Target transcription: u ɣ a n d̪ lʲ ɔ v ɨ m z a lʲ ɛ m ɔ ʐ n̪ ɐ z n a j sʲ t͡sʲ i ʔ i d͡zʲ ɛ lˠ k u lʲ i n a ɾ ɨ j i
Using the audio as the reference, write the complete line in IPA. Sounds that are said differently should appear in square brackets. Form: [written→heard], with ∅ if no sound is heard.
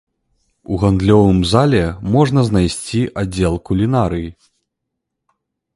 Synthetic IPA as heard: u ɣ a n d̪ lʲ ɔ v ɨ m z a lʲ ɛ m ɔ ʐ n̪ ɐ z n a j sʲ t͡sʲ i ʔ [i→a] d͡zʲ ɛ lˠ k u lʲ i n a ɾ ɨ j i